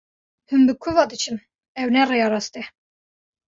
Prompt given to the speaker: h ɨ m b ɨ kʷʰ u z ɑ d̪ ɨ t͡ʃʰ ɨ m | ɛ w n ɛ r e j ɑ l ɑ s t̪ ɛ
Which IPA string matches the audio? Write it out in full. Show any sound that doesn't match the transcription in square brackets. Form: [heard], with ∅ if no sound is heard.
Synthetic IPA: h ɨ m b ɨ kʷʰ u [v] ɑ d̪ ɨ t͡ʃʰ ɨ m | ɛ w n ɛ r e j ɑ [ɾ] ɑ s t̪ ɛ